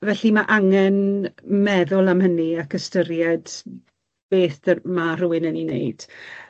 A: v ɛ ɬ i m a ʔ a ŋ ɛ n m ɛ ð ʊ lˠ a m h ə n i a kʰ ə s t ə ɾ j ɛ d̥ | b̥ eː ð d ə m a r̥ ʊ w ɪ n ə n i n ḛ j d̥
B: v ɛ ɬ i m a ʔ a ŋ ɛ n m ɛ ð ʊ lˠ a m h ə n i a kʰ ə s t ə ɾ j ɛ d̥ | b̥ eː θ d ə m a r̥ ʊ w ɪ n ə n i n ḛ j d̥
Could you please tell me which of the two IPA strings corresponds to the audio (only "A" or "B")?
B